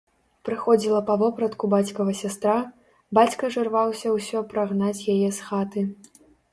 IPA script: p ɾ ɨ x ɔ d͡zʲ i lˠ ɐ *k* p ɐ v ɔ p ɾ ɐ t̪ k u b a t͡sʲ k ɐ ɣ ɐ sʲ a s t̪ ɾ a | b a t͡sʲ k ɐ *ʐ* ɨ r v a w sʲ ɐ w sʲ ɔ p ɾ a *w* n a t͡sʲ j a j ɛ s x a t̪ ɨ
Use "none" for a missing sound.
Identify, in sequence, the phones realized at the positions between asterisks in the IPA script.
none, ʐ, ɣ

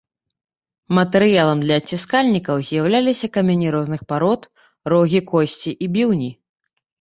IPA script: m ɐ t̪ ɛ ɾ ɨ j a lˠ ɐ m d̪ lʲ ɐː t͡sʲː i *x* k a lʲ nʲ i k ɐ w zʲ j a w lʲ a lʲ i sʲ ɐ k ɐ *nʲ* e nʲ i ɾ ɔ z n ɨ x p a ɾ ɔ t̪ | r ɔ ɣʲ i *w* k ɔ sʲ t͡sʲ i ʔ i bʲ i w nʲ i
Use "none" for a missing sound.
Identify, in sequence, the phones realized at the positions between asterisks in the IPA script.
s, mʲ, none

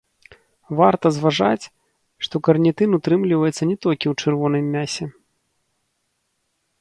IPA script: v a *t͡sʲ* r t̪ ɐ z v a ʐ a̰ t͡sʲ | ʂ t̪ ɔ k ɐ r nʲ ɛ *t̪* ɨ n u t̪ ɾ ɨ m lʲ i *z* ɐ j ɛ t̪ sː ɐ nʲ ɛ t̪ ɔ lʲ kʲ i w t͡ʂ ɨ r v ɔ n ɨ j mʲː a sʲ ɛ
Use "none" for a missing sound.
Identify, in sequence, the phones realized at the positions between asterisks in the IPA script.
none, t̪, v

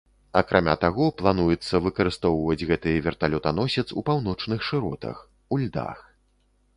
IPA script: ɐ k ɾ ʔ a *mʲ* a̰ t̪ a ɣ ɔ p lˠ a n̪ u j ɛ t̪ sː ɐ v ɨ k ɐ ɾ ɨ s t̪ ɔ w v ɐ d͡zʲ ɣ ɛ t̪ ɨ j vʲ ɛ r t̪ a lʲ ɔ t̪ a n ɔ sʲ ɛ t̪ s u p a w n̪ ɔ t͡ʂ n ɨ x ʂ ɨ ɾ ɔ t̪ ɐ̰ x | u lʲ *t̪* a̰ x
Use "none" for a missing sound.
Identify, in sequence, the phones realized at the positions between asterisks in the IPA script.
mʲ, d̪

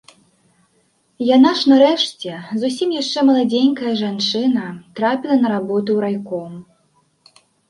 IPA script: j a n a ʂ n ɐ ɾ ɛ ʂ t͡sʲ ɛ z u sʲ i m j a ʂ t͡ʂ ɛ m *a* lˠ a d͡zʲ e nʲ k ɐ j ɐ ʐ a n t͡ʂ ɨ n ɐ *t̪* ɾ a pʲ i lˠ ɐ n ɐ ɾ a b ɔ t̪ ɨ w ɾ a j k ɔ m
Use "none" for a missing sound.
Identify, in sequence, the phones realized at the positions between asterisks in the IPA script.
ɐ, t̪

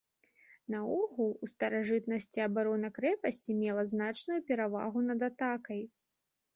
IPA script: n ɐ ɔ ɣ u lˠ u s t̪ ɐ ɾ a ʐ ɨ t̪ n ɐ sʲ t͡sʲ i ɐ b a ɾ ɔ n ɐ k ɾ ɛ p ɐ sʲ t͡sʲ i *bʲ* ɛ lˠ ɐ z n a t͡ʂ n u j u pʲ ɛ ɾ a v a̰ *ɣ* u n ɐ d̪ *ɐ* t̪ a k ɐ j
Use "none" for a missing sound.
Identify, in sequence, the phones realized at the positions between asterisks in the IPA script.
mʲ, ɣ, a

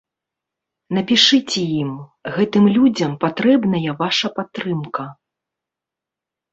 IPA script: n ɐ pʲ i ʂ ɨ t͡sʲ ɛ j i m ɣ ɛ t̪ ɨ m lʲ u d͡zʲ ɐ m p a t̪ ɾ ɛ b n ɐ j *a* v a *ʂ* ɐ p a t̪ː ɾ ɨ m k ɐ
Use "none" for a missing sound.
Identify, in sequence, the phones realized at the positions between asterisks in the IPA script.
ɐ, ʂ

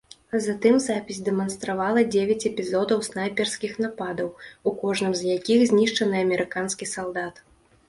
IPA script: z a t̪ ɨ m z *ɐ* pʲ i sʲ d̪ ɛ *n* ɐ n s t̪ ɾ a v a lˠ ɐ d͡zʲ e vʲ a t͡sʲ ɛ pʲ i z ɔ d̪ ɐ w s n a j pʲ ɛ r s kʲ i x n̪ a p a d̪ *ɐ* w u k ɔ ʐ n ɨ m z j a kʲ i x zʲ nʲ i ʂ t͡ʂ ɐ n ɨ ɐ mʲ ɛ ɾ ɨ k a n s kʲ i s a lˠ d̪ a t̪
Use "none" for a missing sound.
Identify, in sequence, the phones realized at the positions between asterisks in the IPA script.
a, m, ɐ

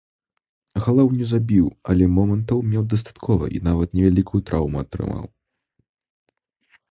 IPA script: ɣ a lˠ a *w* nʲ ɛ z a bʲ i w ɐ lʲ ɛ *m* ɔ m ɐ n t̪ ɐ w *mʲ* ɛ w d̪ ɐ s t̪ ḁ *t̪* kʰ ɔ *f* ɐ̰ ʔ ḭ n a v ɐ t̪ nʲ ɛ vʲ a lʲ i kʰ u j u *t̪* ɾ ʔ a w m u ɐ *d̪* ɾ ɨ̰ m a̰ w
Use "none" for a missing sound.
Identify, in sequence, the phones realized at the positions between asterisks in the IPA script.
w, m, mʲ, t̪, v, t̪, t̪

